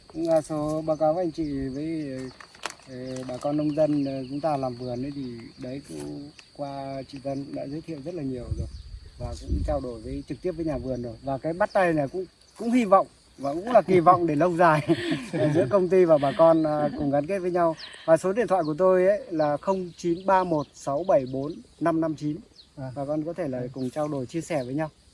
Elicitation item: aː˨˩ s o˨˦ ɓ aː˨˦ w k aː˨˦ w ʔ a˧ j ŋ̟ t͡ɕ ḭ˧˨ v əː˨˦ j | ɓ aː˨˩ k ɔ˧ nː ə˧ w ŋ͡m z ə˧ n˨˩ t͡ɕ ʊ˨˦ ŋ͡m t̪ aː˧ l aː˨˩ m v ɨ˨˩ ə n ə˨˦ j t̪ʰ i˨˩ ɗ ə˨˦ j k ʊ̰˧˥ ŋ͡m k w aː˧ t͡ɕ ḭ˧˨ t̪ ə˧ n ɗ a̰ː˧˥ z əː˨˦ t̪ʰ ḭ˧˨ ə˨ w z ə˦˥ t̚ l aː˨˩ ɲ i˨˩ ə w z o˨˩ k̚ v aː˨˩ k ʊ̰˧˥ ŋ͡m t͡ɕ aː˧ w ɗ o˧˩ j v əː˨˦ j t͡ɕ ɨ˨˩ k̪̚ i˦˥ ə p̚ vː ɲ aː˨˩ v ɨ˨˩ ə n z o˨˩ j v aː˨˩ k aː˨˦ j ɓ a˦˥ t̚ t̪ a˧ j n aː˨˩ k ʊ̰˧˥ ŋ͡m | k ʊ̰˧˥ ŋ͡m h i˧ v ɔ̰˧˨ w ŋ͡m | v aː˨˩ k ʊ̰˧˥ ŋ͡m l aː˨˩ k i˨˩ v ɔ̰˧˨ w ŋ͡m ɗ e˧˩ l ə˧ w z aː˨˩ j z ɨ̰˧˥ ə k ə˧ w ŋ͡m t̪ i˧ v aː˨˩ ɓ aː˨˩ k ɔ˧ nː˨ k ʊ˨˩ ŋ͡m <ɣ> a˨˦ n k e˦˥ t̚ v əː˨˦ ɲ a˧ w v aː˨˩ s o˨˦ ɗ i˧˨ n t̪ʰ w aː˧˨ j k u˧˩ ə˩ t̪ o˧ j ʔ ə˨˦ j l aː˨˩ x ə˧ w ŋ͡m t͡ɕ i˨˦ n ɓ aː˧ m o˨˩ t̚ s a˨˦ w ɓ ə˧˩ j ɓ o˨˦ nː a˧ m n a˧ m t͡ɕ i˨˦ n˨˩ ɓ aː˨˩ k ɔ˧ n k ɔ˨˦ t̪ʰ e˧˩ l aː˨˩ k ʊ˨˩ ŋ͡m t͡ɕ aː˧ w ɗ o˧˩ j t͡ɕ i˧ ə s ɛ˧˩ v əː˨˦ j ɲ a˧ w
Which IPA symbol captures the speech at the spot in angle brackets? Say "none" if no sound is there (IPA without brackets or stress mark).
ɣ